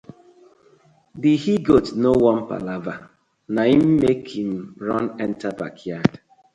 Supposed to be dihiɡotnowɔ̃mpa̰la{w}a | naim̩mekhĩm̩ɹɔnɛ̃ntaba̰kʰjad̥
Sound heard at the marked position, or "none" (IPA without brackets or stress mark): v